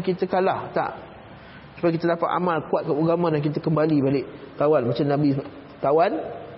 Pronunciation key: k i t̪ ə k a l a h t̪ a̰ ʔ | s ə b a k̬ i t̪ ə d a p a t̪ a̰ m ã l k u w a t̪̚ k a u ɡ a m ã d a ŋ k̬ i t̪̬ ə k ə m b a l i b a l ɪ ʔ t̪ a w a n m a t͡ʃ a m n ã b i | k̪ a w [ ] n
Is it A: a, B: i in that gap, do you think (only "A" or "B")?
A